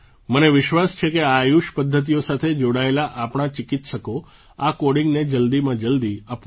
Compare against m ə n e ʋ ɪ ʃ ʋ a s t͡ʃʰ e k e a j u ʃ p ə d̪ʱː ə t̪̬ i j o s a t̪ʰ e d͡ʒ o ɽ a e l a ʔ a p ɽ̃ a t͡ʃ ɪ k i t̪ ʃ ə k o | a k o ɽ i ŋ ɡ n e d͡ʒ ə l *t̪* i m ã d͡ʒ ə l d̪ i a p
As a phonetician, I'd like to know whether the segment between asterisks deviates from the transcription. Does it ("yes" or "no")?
yes